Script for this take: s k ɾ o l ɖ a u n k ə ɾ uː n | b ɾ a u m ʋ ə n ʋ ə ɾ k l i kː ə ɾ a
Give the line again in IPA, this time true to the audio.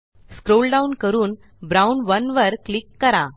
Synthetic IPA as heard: s k ɾ o l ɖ a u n k ə ɾ uː n | b ɾ a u n ʋ ə n ʋ ə ɾ k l i kː ə ɾ a